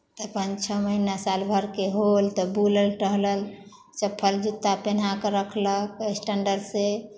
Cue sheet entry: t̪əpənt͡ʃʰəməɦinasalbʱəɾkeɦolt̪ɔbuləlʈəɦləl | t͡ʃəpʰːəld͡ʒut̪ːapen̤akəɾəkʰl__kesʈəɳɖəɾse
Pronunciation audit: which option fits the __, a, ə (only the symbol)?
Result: ə